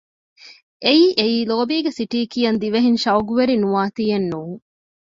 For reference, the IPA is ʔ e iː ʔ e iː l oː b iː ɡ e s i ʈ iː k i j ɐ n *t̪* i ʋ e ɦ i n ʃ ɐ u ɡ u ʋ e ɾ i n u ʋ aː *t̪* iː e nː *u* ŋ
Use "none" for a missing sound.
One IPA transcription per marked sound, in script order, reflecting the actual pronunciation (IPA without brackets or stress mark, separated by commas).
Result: d̪, t̪, uː